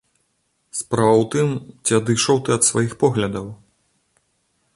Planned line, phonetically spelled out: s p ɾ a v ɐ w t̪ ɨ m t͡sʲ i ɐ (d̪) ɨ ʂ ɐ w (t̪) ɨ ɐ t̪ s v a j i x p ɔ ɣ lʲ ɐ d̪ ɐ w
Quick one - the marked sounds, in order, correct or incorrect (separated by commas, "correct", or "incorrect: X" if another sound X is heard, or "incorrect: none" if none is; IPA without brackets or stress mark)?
correct, correct